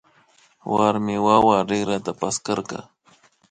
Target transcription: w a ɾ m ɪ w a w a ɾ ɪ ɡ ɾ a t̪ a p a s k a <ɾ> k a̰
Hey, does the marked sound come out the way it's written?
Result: yes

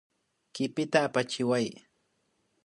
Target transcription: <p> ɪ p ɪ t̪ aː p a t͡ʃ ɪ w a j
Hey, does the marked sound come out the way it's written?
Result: no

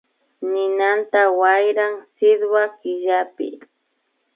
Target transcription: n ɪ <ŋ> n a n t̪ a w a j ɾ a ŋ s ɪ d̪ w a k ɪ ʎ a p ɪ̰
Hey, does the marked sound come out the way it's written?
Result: no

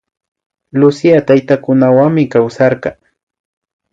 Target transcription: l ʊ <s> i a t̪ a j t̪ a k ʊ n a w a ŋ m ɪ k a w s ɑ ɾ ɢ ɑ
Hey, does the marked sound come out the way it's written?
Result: yes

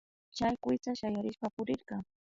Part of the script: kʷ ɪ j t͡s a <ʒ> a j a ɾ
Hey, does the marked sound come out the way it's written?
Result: no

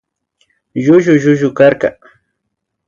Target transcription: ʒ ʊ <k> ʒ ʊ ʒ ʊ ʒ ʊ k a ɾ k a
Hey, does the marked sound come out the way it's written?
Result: no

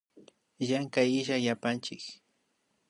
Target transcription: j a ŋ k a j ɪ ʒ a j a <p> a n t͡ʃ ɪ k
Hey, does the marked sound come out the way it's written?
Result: yes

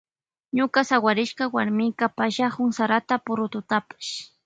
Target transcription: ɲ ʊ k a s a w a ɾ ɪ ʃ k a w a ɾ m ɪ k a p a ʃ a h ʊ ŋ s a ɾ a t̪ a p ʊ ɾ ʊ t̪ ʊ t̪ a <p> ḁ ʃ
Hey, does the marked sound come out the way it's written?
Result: yes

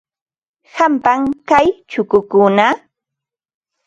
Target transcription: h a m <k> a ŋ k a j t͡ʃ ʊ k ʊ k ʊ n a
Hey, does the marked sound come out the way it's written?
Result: no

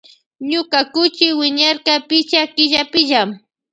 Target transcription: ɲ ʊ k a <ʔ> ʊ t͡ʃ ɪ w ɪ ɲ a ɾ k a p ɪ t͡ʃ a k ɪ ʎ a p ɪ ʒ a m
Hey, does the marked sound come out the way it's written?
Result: no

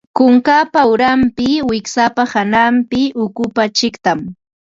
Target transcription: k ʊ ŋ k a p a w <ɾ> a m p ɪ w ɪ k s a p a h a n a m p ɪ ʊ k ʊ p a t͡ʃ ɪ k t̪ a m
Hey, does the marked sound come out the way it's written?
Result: yes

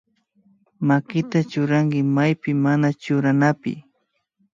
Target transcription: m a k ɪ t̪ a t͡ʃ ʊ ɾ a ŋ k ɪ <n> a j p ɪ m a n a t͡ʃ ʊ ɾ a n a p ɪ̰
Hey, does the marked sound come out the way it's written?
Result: no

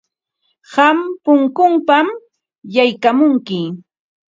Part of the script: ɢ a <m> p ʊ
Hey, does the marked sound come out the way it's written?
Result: yes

